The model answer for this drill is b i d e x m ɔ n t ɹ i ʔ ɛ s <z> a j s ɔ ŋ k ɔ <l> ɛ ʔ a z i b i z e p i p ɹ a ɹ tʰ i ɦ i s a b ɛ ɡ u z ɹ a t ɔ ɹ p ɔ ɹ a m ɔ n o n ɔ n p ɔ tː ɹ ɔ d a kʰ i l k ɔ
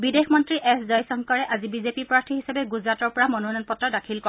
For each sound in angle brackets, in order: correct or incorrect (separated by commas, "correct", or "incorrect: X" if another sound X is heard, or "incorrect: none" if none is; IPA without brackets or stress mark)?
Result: correct, incorrect: ɹ